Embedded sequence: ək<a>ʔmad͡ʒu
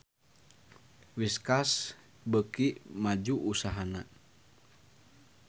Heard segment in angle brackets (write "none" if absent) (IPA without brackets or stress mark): i